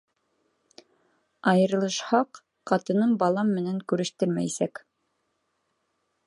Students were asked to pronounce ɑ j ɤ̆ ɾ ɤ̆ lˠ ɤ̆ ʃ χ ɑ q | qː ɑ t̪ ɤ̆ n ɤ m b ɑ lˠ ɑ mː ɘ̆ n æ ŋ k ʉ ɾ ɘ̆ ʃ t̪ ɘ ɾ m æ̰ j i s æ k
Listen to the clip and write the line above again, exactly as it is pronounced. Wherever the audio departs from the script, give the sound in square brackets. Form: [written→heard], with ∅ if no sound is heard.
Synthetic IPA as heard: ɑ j ɤ̆ ɾ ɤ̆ lˠ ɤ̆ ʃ [χ→h] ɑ q | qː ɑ t̪ ɤ̆ n ɤ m b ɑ lˠ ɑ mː ɘ̆ n æ ŋ k ʉ ɾ ɘ̆ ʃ t̪ ɘ ɾ m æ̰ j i s æ k